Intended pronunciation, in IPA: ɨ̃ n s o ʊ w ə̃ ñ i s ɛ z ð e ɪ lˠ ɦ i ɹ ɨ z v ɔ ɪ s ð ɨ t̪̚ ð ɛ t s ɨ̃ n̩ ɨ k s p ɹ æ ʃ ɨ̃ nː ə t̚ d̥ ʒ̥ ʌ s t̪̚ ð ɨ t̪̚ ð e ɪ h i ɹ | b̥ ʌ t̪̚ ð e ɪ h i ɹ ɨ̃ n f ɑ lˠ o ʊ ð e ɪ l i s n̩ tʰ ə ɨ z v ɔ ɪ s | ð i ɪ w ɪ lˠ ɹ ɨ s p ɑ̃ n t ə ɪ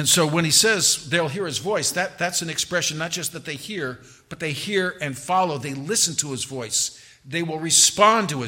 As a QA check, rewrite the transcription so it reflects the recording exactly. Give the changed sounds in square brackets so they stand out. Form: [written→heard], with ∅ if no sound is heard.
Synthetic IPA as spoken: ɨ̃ n s o ʊ w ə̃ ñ i s ɛ z ð e ɪ lˠ ɦ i ɹ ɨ z v ɔ ɪ s ð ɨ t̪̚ ð [ɛ→æ] t s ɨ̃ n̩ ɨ k s p ɹ [æ→ɛ] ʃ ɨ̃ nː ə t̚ d̥ ʒ̥ ʌ s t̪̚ ð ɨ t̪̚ ð e ɪ h i ɹ | b̥ ʌ t̪̚ ð e ɪ h i ɹ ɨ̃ n f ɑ lˠ o ʊ ð e ɪ l [i→ɪ] s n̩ tʰ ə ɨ z v ɔ ɪ s | ð [i→e] ɪ w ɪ lˠ ɹ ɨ s p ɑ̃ n t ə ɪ